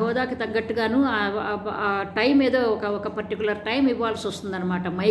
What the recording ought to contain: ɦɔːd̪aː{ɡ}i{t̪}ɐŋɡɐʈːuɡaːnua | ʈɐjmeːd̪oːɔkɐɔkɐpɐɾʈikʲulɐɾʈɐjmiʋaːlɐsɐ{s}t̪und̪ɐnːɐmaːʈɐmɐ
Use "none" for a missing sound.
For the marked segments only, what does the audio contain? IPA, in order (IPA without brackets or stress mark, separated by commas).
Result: k, t̪, s